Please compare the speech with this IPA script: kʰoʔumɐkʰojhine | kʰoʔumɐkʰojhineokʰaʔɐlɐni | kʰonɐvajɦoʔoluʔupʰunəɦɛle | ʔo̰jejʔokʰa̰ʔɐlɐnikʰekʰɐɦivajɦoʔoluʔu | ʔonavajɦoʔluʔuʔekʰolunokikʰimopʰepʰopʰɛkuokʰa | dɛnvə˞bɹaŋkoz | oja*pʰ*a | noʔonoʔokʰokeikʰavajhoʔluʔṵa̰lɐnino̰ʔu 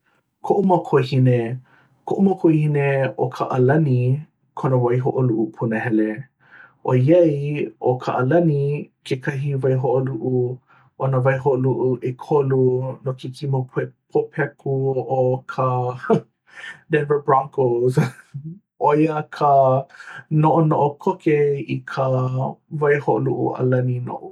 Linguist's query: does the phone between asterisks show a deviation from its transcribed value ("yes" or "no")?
yes